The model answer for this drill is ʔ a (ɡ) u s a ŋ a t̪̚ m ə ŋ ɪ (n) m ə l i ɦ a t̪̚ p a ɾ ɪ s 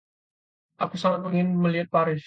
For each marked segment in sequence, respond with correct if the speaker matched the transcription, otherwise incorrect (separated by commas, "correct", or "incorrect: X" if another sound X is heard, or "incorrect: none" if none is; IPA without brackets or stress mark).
incorrect: k, correct